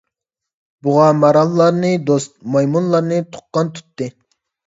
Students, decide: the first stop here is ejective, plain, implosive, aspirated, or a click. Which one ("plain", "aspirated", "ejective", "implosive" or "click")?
plain